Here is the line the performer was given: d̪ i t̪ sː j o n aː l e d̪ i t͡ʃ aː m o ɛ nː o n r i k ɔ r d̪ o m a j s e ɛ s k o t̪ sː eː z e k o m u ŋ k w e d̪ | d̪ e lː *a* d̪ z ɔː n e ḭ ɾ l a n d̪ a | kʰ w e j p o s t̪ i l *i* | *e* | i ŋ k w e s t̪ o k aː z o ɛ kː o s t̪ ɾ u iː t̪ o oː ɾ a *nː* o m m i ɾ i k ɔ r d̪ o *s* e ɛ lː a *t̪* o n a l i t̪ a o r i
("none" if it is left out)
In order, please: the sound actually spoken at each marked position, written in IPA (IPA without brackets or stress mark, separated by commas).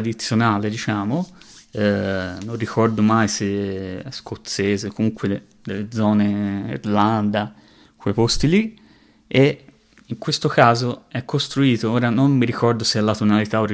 e, i, e, n, s, t̪